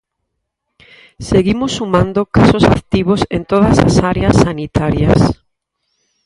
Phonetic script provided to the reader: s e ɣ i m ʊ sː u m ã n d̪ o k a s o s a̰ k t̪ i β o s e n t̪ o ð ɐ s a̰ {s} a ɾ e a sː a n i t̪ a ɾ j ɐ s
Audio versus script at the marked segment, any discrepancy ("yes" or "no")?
no